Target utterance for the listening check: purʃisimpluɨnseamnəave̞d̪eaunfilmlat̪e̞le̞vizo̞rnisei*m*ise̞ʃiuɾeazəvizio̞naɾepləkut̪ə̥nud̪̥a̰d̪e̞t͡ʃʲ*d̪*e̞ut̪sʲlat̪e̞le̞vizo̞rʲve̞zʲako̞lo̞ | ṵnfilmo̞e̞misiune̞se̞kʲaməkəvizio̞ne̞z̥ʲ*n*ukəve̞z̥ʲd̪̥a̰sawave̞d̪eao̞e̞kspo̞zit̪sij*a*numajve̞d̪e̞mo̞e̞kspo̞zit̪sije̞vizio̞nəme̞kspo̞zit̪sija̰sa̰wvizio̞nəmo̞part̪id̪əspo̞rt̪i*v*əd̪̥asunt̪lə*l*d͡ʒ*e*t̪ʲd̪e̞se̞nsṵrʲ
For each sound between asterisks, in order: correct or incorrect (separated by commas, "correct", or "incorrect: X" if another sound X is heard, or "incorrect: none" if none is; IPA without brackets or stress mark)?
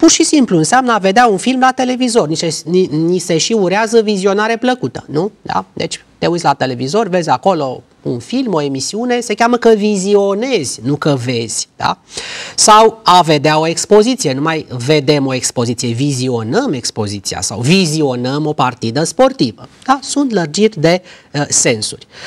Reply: incorrect: n, incorrect: t̪, correct, incorrect: e, correct, incorrect: r, incorrect: i